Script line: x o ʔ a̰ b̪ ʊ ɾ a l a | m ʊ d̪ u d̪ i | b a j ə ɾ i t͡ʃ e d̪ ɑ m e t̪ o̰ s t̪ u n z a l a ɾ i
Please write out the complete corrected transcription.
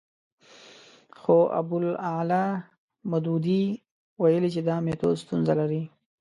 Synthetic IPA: x o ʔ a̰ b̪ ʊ l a l a | m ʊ d̪ u d̪ i | w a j ə l i t͡ʃ e d̪ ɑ m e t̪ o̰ s t̪ u n z a l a ɾ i